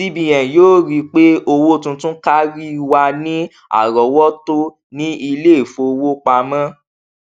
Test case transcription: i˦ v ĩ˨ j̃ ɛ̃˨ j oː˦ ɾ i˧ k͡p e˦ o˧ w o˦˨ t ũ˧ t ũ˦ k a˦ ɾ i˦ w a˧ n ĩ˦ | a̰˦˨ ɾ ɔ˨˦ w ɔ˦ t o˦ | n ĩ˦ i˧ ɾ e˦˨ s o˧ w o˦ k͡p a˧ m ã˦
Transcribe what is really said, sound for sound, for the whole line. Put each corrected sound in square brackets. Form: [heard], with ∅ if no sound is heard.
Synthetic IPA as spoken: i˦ [b] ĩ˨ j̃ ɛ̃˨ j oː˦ ɾ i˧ k͡p e˦ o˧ w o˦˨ t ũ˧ t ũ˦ k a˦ ɾ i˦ w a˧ n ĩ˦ | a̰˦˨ ɾ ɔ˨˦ w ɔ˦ t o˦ | n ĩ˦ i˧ [l] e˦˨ [f] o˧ w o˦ k͡p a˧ m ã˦